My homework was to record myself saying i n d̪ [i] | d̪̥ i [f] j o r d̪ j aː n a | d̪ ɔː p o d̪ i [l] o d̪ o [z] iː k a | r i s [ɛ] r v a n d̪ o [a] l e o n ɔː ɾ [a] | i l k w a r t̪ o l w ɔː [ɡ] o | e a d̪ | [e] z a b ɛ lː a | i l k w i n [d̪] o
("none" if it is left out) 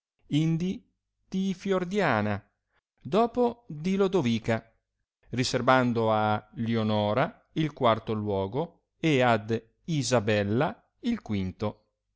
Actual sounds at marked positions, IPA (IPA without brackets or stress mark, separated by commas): i, f, l, v, e, a, a, ɡ, i, t̪